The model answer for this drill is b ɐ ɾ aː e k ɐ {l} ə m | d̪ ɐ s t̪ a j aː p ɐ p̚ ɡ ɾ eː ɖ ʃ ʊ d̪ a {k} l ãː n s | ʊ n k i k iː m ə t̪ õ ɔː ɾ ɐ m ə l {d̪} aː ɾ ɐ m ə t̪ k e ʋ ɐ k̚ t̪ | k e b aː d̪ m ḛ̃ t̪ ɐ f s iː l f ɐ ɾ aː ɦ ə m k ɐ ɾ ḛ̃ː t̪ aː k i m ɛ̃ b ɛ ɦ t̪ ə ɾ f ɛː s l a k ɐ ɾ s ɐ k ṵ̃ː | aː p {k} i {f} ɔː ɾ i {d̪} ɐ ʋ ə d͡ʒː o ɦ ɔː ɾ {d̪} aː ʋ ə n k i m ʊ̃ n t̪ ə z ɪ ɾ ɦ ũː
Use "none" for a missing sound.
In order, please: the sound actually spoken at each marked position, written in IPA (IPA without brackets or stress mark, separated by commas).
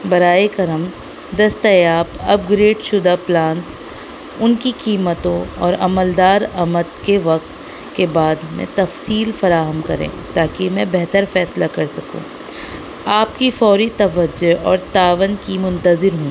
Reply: ɾ, p, d̪, k, f, t̪, t̪